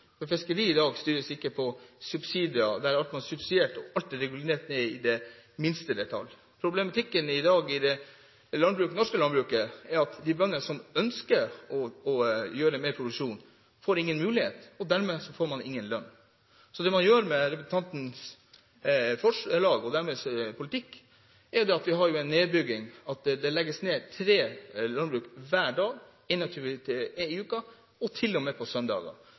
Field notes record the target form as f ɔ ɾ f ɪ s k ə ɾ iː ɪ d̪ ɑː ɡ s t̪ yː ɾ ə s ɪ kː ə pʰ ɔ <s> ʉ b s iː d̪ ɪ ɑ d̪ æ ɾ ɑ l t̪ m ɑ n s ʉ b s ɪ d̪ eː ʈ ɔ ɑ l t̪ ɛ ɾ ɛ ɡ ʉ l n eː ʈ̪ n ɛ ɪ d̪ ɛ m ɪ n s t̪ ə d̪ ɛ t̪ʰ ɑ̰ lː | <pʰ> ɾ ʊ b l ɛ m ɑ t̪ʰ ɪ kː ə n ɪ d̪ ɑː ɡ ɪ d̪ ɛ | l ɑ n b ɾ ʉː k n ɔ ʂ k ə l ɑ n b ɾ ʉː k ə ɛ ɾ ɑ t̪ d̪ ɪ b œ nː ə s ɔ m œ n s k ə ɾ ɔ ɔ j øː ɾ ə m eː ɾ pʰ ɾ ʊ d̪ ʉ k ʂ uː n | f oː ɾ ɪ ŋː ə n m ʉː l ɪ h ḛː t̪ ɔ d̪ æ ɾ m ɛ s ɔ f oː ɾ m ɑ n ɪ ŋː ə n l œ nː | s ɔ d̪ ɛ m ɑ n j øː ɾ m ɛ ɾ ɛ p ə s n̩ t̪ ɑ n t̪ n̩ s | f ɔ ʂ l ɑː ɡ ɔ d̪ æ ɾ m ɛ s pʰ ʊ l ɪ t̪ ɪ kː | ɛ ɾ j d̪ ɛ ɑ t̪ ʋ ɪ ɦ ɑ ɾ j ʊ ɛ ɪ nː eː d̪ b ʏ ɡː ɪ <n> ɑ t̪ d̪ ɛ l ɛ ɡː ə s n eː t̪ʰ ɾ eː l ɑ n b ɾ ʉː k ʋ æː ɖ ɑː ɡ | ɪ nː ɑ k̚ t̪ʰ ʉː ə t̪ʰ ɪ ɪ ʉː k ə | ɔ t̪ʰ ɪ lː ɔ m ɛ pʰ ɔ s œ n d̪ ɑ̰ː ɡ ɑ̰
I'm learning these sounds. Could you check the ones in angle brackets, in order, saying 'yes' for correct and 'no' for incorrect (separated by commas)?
yes, yes, no